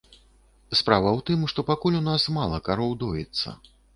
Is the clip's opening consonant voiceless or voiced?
voiceless